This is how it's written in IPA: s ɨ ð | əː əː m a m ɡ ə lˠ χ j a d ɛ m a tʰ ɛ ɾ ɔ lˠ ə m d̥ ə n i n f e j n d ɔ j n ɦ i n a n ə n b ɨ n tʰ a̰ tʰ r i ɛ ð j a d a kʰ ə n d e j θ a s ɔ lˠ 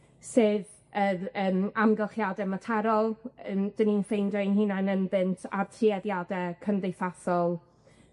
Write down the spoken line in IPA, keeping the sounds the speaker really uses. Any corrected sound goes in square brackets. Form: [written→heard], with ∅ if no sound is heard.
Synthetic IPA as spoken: s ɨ ð | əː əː m a m ɡ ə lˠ χ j a d ɛ m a tʰ ɛ ɾ ɔ lˠ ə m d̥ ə n i n f e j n d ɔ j n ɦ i n a n ə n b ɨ n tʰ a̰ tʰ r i ɛ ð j a d [a→ɛ] kʰ ə n d e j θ a [s→θ] ɔ lˠ